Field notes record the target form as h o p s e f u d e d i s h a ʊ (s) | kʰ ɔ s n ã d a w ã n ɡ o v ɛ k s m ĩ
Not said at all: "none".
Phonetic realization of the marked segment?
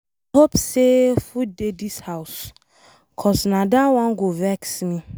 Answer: s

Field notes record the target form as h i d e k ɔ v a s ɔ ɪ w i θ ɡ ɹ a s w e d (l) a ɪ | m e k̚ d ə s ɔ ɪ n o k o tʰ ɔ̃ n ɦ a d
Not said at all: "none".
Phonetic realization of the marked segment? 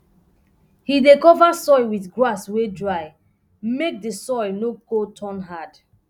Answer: ɹ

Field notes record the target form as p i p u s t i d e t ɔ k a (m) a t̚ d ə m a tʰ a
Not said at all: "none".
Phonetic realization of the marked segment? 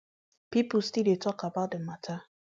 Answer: b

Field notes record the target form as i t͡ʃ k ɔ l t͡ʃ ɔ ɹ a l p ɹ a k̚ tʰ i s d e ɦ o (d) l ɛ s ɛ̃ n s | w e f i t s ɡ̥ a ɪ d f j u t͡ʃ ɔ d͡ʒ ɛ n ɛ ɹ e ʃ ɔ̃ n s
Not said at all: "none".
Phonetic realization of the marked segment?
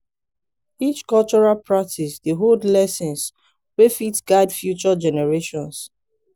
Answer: d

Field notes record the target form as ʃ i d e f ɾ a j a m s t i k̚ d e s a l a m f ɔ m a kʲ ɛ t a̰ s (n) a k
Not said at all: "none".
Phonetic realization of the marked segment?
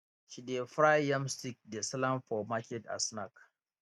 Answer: n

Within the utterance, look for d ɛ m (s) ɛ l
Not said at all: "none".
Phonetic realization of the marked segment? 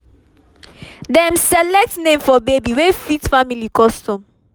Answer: s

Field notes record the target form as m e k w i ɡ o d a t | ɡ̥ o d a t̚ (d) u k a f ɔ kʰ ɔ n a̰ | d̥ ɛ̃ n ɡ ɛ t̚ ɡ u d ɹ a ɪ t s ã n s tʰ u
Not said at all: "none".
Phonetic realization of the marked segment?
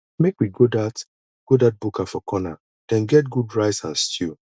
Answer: b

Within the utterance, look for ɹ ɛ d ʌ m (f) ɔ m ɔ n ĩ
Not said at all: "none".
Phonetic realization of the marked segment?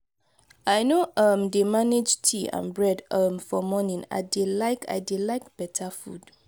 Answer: f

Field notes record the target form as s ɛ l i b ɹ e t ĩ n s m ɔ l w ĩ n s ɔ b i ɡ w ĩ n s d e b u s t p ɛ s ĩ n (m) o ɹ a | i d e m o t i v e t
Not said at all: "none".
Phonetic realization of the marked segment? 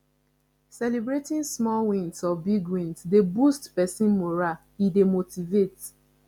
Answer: m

